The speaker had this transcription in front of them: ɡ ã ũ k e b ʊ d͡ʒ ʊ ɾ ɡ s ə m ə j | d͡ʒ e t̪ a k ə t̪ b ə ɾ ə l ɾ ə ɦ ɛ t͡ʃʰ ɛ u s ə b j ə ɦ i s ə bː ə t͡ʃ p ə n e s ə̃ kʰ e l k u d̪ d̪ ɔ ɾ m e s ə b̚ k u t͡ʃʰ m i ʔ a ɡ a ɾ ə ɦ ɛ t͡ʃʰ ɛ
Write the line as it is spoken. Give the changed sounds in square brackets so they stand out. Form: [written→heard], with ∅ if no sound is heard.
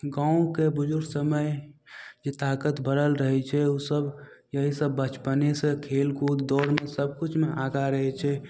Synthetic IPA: ɡ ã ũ k e b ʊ d͡ʒ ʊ ɾ ɡ s ə m ə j | d͡ʒ e t̪ a k ə t̪ b ə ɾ ə l ɾ ə ɦ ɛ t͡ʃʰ ɛ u s ə b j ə ɦ i s ə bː ə t͡ʃ p ə n e s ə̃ kʰ e l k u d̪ d̪ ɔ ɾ m e s ə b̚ k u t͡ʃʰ m [i→e] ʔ a ɡ a ɾ ə ɦ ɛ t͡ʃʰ ɛ